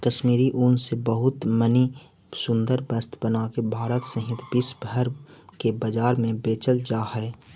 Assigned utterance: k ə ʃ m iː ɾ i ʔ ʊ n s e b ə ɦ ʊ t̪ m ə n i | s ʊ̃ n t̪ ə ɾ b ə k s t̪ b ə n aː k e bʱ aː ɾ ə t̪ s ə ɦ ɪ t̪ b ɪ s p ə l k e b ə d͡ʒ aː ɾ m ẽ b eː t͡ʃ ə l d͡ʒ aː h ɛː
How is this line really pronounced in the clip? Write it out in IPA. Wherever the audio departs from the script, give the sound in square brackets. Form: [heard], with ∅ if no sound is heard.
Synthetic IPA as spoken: k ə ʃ m iː ɾ i ʔ ʊ n s e b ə ɦ ʊ t̪ m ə n i | s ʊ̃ n [d̪] ə ɾ b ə [∅] s t̪ b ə n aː k e bʱ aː ɾ ə t̪ s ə ɦ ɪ t̪ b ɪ s [b] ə [ɾ] k e b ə d͡ʒ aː ɾ m ẽ b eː t͡ʃ ə l d͡ʒ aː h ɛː